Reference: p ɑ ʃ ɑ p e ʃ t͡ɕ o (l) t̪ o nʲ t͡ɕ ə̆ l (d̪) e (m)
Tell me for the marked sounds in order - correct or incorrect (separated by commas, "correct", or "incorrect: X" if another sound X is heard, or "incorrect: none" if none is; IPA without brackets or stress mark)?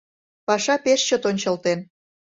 incorrect: none, incorrect: t̪, incorrect: n